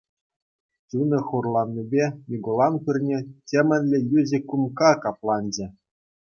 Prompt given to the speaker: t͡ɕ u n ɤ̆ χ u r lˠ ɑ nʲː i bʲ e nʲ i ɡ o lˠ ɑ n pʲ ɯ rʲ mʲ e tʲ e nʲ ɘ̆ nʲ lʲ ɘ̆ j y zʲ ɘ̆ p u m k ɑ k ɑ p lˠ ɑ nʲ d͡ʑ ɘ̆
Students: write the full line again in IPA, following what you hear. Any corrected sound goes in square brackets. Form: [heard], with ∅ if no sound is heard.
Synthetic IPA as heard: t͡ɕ u n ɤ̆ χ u r lˠ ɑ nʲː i bʲ e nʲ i ɡ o lˠ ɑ n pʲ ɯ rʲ [nʲ] e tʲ e [mʲ] ɘ̆ nʲ lʲ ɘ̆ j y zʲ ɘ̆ [k] u m k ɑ k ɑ p lˠ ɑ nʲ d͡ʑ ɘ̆